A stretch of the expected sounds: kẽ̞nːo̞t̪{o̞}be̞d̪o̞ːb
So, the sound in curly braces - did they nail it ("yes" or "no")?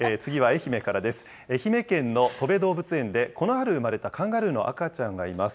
yes